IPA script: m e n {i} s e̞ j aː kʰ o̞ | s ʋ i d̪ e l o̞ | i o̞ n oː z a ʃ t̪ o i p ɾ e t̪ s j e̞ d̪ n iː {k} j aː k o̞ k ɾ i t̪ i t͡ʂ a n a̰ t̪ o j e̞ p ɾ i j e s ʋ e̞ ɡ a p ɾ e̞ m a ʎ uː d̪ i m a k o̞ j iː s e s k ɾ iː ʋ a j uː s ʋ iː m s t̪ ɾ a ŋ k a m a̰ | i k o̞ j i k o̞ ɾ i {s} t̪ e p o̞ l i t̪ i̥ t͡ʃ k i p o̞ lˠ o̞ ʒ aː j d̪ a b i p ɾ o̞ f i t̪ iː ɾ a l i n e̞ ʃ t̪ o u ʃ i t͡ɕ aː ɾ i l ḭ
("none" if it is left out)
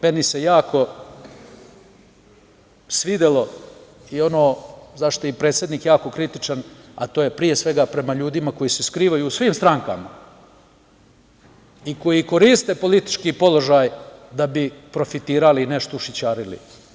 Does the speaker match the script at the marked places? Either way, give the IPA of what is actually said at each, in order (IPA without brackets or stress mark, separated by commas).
i, k, s